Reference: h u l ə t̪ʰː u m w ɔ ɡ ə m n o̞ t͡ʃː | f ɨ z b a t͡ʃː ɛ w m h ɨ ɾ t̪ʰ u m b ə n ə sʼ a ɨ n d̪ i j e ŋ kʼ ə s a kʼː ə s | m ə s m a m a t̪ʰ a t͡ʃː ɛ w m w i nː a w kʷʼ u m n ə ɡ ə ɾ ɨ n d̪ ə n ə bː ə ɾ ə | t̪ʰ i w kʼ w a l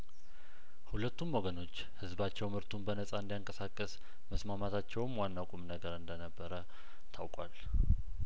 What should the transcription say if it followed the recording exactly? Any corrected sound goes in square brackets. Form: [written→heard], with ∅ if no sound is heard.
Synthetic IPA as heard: h u l ə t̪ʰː u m w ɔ ɡ ə [m→∅] n o̞ t͡ʃː | [f→h] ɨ z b a t͡ʃː ɛ w m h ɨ ɾ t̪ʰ u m b ə n ə sʼ a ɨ n d̪ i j [e→a] ŋ kʼ ə s a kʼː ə s | m ə s m a m a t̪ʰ a t͡ʃː ɛ w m w [i→a] nː a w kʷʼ u m n ə ɡ ə ɾ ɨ n d̪ ə n ə bː ə ɾ ə | t̪ʰ [i→a] w kʼ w a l